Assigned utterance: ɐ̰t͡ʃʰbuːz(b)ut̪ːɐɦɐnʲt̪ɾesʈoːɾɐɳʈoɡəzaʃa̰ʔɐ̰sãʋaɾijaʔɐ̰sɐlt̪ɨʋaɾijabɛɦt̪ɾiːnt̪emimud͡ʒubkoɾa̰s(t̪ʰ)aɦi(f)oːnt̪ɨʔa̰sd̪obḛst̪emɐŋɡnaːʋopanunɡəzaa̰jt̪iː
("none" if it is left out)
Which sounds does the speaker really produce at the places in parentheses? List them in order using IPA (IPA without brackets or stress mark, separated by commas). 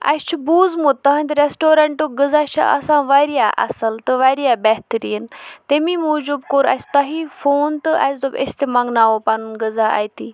m, t̪, f